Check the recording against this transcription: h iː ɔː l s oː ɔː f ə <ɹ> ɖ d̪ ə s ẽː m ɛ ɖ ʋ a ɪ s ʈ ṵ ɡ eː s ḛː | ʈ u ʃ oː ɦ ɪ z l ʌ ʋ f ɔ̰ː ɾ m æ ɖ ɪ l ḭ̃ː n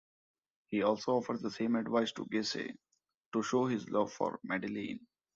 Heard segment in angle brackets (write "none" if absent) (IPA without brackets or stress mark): ɾ